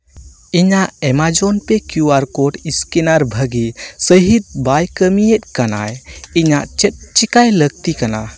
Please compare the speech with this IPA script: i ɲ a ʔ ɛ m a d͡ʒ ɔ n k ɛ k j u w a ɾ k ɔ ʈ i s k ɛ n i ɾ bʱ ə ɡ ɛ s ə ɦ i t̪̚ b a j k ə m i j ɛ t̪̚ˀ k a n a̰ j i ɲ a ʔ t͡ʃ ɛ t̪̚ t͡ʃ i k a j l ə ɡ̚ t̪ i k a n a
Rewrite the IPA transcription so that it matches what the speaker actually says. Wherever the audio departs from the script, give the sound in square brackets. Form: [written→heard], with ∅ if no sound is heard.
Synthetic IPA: i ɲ a ʔ ɛ m a d͡ʒ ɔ n [k→p] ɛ k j u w a ɾ k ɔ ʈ i s k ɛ n [i→a] ɾ bʱ ə ɡ [ɛ→i] s ə ɦ i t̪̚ b a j k ə m i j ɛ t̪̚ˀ k a n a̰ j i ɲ a ʔ t͡ʃ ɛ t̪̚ t͡ʃ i k a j l ə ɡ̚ t̪ i k a n a

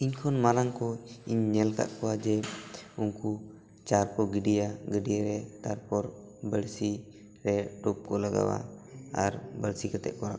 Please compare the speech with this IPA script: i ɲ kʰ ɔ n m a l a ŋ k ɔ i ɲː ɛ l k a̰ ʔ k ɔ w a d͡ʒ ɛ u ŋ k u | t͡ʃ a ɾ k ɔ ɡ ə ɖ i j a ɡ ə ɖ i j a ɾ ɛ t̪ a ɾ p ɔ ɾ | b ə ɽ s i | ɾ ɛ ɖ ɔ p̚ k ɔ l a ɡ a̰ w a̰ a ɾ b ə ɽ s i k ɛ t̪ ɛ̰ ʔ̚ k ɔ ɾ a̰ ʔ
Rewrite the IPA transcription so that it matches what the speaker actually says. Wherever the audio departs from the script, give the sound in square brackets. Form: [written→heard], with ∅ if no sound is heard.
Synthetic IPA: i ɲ kʰ ɔ n m a l a ŋ k ɔ i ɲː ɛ l k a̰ ʔ k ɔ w a d͡ʒ ɛ u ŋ k u | t͡ʃ a ɾ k ɔ ɡ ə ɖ i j a ɡ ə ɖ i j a ɾ ɛ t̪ a ɾ p ɔ ɾ | b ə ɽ s i | ɾ ɛ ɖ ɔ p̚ k ɔ l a ɡ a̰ w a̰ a ɾ b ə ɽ s i k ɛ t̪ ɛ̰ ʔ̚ k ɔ ɾ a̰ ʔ

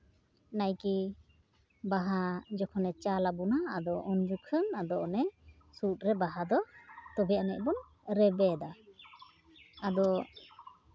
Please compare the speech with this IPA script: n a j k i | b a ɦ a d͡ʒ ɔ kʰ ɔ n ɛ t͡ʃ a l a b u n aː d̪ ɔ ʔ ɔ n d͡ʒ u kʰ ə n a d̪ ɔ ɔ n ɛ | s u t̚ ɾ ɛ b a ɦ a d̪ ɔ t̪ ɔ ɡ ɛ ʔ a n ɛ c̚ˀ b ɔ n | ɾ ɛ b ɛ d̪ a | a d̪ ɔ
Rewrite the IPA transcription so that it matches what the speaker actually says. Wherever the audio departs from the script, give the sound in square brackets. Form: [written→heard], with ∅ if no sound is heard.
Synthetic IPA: n a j k i | b a ɦ a d͡ʒ ɔ kʰ ɔ n ɛ t͡ʃ a l a b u n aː d̪ ɔ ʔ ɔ n d͡ʒ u kʰ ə n a d̪ ɔ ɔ n ɛ | s u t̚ ɾ ɛ b a ɦ a d̪ ɔ t̪ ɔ [ɡ→b] ɛ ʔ a n ɛ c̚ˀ b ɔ n | ɾ ɛ b ɛ d̪ a | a d̪ ɔ

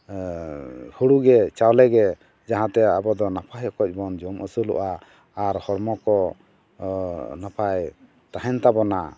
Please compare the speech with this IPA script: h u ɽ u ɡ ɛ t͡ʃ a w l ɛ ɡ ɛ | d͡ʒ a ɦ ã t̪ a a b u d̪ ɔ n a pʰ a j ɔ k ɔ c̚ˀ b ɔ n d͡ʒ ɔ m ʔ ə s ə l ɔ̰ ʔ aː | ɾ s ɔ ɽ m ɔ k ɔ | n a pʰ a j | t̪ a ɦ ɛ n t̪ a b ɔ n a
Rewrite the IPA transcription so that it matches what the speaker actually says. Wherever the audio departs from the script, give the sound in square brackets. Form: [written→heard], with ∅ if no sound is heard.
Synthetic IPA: h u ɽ u ɡ ɛ t͡ʃ a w l ɛ ɡ ɛ | d͡ʒ a ɦ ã t̪ [a→ɛ] a b [u→ɔ] d̪ ɔ n a pʰ a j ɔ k ɔ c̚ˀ b ɔ n d͡ʒ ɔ m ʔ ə s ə l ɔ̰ ʔ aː | ɾ [s→h] ɔ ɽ m ɔ k ɔ | n a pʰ a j | t̪ a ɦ ɛ n t̪ a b ɔ n a

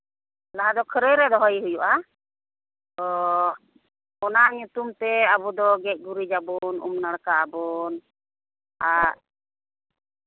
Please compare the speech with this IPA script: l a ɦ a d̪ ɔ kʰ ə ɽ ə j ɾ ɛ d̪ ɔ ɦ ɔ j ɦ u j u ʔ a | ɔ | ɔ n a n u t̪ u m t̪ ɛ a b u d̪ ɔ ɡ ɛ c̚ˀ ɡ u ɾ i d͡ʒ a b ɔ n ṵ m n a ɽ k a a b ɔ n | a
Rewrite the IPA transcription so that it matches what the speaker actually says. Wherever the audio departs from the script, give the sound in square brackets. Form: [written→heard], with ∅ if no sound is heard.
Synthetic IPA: l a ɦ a d̪ ɔ kʰ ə [ɽ→ɾ] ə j ɾ ɛ d̪ ɔ ɦ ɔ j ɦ u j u ʔ a | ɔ | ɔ n a [n→ɲ] u t̪ u m t̪ ɛ a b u d̪ ɔ ɡ ɛ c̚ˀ ɡ u ɾ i d͡ʒ a b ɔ n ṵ m n a ɽ k a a b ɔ n | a

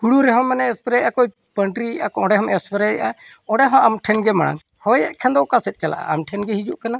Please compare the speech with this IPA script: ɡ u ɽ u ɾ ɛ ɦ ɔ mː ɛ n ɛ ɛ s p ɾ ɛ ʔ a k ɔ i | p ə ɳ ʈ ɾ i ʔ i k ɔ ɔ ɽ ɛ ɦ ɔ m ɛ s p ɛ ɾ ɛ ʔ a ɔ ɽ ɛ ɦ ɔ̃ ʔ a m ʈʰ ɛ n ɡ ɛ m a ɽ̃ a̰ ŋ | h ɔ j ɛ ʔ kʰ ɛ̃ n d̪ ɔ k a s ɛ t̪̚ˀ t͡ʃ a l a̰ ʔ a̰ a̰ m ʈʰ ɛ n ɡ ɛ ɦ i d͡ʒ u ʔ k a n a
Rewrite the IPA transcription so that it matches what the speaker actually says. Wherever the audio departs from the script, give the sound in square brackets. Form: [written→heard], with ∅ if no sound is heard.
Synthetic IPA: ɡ u ɽ u ɾ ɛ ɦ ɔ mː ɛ n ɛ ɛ s p ɾ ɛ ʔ a k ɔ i | p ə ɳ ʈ ɾ i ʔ [i→a] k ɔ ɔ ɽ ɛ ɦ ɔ m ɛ s p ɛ ɾ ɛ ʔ a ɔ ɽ ɛ ɦ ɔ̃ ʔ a m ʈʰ ɛ n ɡ ɛ m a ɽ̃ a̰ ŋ | h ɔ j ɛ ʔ kʰ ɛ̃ n d̪ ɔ k a s ɛ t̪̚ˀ t͡ʃ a l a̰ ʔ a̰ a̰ m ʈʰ ɛ n ɡ ɛ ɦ i d͡ʒ u ʔ k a n a

